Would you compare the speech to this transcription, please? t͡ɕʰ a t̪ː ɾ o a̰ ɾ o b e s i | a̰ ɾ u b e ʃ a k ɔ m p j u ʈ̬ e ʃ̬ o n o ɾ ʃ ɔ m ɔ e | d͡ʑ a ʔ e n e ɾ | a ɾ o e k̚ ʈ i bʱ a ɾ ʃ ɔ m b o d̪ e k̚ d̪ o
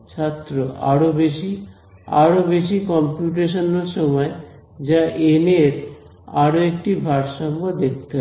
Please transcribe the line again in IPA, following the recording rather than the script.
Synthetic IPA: t͡ɕʰ a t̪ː ɾ o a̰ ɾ o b e ʃ i | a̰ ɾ o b e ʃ i k ɔ m p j u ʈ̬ e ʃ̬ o n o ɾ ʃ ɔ m ɔ e | d͡ʑ a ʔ e n e ɾ | a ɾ o e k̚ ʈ i bʱ a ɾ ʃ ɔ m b o d̪ e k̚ t̪ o